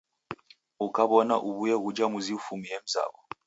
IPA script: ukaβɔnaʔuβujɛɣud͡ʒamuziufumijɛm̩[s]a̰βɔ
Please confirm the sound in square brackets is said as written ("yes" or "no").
no